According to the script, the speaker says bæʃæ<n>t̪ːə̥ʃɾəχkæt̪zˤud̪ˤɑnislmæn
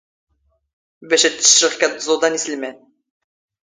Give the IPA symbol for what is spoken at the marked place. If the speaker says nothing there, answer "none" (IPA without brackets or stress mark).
none